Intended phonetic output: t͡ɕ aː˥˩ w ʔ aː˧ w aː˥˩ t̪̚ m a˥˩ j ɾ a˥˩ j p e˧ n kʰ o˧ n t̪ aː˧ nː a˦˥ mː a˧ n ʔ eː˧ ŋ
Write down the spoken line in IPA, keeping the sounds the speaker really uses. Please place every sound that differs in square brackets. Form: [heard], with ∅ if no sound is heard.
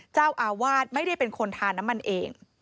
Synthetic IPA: t͡ɕ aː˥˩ w ʔ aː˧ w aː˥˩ t̪̚ m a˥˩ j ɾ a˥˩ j p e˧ n kʰ o˧ n [t̪ʰ] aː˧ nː a˦˥ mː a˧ n ʔ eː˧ ŋ